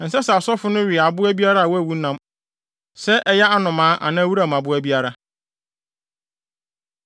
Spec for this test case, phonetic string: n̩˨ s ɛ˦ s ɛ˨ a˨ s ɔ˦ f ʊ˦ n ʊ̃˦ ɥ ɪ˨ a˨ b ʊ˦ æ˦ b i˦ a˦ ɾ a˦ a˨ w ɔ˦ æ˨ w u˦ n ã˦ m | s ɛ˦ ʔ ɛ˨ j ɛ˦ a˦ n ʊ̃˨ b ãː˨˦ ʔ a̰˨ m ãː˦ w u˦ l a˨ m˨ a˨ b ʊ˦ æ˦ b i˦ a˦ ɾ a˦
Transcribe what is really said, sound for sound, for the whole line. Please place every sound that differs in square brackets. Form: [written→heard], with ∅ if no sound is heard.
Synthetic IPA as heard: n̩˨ s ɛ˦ s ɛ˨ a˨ s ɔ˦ f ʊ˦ n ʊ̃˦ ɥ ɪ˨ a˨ b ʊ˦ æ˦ b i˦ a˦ ɾ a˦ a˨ w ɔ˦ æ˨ w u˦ n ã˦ m | s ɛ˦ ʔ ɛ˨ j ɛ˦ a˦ n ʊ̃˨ [b→m] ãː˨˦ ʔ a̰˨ [m→n] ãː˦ w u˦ [l→ɾ] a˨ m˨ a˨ b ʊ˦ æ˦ b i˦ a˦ ɾ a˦

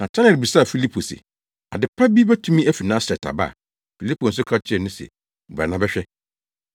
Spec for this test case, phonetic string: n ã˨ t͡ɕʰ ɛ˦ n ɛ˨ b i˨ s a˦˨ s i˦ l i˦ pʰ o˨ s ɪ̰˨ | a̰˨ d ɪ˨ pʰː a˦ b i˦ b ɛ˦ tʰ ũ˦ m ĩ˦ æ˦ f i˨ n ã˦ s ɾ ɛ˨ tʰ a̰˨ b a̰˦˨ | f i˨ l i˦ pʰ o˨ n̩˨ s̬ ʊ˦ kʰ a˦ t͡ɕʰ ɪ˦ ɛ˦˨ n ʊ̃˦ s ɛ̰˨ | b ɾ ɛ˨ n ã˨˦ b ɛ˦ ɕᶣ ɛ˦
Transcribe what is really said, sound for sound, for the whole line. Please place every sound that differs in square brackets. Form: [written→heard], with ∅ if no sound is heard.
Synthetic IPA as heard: n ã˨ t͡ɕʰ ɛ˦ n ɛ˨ b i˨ s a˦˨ [s→f] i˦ l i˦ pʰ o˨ s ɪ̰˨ | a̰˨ d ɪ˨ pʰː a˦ b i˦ b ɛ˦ tʰ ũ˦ m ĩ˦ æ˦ f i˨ n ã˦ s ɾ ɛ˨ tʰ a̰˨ b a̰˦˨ | f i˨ l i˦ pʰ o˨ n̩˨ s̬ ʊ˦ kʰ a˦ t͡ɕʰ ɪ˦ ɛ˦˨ n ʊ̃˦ s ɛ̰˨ | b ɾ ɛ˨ n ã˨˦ b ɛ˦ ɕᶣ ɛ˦

